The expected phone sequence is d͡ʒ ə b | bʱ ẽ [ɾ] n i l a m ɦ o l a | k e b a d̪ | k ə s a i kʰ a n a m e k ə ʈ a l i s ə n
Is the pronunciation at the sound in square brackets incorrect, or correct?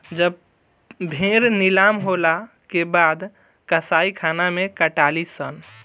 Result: correct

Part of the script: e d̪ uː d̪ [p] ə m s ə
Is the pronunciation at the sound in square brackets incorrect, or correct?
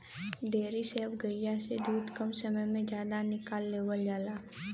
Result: incorrect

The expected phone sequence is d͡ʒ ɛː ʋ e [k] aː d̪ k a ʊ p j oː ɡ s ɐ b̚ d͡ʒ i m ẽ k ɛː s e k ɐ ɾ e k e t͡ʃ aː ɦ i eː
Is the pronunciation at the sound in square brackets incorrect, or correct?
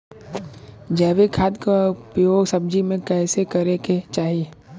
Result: incorrect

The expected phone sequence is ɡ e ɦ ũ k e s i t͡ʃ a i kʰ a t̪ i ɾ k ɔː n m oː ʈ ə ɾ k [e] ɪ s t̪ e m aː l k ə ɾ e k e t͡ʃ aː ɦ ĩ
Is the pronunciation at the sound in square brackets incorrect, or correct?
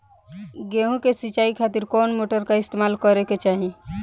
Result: incorrect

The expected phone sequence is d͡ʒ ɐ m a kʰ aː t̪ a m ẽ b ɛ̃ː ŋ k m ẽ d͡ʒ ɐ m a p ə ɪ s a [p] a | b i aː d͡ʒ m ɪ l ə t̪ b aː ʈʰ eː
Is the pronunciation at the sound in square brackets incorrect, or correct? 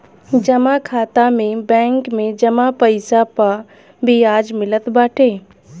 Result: correct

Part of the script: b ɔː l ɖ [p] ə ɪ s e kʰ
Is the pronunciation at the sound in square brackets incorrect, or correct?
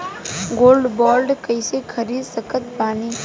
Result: incorrect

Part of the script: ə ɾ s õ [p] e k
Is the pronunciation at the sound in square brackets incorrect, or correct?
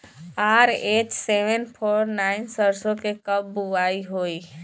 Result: incorrect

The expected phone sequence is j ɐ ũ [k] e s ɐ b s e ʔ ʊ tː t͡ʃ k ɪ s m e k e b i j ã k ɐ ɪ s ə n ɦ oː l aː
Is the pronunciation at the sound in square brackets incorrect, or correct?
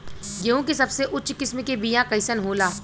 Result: correct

